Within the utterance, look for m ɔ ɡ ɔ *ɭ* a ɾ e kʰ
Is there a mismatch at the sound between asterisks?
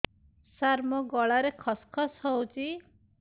no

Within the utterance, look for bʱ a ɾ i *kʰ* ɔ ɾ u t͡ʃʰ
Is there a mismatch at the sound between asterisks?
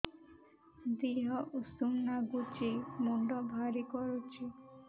yes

